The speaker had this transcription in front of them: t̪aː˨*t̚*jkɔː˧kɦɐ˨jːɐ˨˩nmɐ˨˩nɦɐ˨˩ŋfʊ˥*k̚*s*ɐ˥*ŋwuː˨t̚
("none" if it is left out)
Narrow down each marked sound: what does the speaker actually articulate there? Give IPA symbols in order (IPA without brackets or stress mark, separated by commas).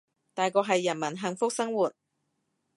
none, k̚, ɐ˥